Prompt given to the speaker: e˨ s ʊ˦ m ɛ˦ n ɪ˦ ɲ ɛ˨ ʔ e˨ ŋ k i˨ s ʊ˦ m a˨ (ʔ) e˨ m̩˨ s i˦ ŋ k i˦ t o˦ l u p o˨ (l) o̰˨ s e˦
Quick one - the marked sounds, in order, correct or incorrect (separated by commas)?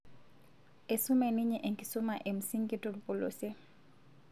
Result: correct, correct